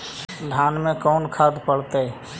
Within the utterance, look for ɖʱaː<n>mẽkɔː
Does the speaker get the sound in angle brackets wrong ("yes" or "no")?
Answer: no